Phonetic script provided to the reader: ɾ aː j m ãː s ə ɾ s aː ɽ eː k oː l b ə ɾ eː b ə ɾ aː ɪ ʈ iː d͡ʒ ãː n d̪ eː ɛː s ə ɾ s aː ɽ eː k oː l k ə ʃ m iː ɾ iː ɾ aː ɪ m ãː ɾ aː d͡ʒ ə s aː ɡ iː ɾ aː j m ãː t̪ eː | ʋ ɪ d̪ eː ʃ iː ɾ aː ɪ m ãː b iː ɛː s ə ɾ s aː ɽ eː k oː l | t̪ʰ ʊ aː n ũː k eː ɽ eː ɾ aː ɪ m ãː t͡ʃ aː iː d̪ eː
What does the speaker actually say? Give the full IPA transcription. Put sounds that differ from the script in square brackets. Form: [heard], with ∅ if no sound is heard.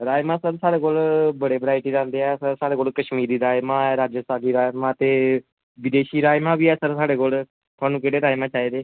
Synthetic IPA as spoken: ɾ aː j m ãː s ə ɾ s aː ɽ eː k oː l b ə [ɽ] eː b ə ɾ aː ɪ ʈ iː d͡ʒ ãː n d̪ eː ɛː s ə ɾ s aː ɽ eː k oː l k ə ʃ m iː ɾ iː ɾ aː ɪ m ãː ɾ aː d͡ʒ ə s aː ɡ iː ɾ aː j m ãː t̪ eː | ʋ ɪ d̪ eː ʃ iː ɾ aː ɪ m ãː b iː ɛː s ə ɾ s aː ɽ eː k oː l | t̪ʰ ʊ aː n ũː k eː ɽ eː ɾ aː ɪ m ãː t͡ʃ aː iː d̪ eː